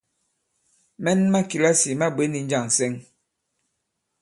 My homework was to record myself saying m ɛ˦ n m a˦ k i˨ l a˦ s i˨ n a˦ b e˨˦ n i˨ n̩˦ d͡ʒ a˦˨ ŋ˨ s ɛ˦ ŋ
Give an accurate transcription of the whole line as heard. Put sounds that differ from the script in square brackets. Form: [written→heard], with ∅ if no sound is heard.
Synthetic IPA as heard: m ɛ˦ n m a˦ k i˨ l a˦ s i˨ [n→m] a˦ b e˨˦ n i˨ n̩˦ d͡ʒ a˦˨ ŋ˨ s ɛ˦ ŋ